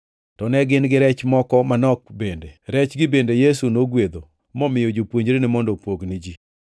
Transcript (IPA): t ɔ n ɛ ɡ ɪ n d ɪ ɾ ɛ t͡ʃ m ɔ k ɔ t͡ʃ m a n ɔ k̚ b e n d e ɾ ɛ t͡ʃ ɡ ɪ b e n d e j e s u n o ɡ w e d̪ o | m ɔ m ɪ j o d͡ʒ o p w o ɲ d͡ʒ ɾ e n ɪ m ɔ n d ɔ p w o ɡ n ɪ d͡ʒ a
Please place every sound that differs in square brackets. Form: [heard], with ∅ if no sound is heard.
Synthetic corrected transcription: t ɔ n ɛ ɡ ɪ n [ɡ] ɪ ɾ ɛ t͡ʃ m ɔ k ɔ [∅] m a n ɔ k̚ b e n d e ɾ ɛ t͡ʃ ɡ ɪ b e n d e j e s u n o ɡ w e d̪ o | m ɔ m ɪ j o d͡ʒ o p w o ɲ d͡ʒ ɾ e n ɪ m ɔ n d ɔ p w o ɡ n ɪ d͡ʒ [i]